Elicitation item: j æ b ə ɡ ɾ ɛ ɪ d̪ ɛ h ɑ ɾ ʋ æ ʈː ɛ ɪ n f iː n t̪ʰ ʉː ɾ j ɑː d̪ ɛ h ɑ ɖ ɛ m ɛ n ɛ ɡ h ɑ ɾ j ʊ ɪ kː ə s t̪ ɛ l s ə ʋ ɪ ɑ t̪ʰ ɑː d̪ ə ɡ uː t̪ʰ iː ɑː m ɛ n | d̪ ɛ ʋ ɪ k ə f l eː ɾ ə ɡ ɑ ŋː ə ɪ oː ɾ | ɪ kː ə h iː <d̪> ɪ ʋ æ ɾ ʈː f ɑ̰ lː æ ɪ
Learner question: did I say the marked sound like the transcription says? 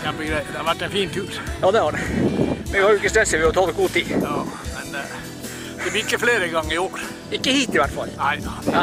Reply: no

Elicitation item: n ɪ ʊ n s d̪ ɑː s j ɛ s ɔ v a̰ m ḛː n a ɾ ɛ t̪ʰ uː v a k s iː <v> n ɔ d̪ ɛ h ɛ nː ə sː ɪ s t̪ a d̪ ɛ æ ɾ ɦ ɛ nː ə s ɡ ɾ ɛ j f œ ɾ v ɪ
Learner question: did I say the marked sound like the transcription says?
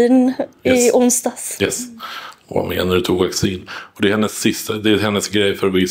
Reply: no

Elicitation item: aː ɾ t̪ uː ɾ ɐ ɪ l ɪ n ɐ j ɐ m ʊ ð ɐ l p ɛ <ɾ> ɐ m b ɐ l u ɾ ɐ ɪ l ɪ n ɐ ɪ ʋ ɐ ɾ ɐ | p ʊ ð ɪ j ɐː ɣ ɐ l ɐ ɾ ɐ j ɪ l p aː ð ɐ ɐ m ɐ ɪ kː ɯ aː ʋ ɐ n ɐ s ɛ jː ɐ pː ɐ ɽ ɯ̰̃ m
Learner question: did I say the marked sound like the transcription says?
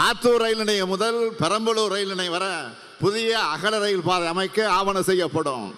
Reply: yes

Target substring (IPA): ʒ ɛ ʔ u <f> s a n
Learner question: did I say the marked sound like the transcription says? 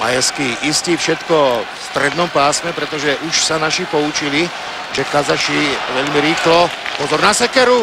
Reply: no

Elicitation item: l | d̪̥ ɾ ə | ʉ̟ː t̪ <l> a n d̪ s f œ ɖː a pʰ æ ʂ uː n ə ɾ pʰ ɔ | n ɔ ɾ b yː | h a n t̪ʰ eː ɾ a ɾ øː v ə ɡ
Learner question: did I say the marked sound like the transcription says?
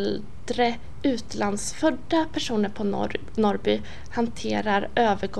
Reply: yes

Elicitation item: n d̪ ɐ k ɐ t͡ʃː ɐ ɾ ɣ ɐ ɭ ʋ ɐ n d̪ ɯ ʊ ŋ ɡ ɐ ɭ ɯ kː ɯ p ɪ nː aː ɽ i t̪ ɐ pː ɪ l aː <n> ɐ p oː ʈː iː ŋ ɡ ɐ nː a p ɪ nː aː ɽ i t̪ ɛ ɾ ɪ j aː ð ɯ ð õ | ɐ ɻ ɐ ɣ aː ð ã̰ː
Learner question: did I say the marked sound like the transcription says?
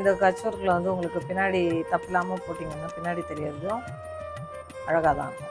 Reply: no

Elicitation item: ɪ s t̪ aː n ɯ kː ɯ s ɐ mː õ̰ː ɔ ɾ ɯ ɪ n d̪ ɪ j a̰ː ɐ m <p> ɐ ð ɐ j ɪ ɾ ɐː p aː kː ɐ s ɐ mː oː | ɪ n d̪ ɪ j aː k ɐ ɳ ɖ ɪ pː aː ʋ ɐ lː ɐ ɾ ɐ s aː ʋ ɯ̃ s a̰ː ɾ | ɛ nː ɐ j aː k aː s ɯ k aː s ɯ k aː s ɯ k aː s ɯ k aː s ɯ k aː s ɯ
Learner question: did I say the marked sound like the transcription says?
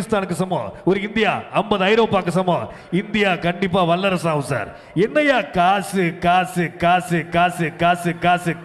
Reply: no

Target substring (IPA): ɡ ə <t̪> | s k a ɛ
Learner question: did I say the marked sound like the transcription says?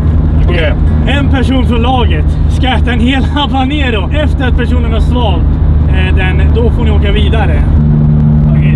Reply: yes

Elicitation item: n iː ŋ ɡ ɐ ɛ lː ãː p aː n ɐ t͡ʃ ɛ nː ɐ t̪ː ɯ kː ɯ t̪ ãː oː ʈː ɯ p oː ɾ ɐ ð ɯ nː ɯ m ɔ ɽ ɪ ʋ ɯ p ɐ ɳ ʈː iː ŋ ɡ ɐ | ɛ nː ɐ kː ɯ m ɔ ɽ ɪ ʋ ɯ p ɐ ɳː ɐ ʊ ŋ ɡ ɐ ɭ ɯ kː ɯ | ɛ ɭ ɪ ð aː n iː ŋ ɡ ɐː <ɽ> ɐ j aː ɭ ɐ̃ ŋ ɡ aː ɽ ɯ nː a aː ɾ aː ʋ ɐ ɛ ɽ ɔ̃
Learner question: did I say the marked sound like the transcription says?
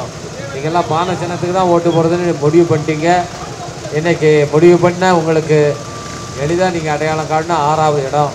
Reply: yes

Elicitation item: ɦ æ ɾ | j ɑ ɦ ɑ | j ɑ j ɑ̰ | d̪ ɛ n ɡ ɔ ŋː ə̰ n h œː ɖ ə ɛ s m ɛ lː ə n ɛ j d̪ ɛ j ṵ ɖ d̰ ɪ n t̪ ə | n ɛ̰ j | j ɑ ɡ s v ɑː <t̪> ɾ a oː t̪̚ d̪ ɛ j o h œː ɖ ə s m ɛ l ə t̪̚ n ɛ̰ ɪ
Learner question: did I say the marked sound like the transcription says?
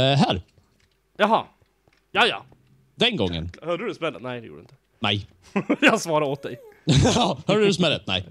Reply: no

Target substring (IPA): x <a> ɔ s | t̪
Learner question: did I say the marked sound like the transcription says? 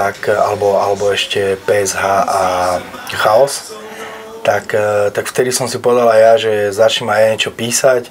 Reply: yes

